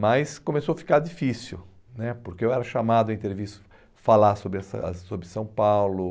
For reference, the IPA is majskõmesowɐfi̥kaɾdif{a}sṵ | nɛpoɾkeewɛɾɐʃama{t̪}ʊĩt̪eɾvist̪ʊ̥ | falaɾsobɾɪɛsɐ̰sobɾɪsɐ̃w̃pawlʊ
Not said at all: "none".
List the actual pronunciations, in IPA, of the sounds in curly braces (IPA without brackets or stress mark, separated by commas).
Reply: i, d̪